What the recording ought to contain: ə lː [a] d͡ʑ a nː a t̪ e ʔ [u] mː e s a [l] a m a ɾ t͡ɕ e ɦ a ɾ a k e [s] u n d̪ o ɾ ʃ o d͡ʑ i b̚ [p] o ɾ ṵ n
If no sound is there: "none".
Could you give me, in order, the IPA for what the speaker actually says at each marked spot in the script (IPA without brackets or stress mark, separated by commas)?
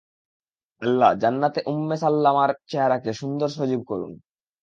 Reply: a, u, lː, ʃ, k